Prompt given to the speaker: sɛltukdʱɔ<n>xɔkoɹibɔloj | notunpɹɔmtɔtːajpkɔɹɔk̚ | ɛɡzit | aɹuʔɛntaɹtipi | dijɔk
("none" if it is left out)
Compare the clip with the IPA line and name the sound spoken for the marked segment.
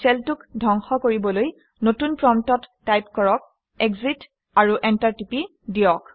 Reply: ŋ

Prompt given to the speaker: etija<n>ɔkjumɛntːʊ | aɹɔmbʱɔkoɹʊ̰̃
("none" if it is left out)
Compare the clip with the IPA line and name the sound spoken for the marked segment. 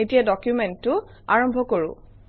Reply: d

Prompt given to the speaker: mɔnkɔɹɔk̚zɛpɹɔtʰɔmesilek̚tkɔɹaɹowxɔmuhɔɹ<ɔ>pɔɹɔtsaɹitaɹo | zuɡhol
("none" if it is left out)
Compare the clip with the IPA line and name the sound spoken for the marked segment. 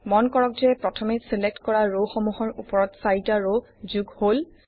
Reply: u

